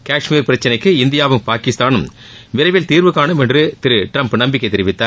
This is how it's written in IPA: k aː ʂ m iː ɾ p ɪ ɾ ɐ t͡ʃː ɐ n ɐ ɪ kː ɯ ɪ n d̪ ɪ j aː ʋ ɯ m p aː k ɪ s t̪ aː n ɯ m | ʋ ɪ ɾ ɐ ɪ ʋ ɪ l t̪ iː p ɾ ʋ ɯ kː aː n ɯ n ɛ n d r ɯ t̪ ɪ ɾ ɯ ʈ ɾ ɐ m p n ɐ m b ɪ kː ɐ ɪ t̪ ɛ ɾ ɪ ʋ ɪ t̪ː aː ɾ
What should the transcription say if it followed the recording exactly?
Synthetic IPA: k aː ʂ m iː ɾ p ɪ ɾ ɐ t͡ʃː ɐ n ɐ ɪ kː ɯ ɪ n d̪ ɪ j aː ʋ ɯ m p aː k ɪ s t̪ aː n ɯ m | ʋ ɪ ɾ ɐ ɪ ʋ ɪ l t̪ iː ɾ ʋ ɯ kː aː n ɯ m ɛ n d r ɯ t̪ ɪ ɾ ɯ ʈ ɾ ɐ m p n ɐ m b ɪ kː ɐ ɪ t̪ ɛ ɾ ɪ ʋ ɪ t̪ː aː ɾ